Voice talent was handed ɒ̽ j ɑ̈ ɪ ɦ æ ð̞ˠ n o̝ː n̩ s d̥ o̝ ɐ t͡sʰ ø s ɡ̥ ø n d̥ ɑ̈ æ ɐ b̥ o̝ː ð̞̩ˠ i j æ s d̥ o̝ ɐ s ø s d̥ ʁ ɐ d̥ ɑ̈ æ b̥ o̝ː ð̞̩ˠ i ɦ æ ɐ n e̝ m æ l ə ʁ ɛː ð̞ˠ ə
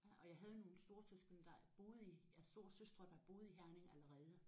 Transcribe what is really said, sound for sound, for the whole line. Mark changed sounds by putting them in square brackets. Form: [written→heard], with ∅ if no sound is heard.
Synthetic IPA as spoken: ɒ̽ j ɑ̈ ɪ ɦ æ ð̞ˠ n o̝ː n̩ s d̥ o̝ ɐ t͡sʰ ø s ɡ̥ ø n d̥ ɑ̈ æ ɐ b̥ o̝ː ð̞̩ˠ i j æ s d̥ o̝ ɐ s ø s d̥ ʁ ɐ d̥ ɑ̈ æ b̥ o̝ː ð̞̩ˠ i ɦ æ ɐ n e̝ [m→ŋ] æ l ə ʁ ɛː ð̞ˠ ə